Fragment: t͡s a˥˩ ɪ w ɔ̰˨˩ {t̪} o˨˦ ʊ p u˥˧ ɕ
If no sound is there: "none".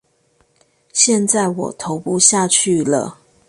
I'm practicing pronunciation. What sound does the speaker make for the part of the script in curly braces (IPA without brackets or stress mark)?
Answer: t̪ʰ